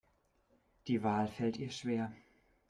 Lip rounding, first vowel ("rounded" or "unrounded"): unrounded